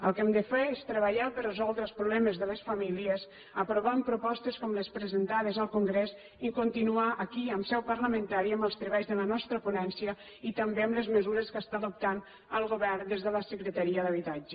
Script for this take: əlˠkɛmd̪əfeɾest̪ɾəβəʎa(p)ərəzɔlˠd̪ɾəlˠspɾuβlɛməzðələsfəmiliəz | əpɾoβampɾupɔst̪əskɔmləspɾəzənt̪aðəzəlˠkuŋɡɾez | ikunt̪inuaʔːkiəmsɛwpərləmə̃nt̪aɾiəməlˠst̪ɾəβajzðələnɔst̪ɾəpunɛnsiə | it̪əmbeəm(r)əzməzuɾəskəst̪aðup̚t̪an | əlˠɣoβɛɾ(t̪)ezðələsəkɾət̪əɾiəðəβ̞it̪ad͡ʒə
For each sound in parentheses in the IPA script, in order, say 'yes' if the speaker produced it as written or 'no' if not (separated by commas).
yes, no, no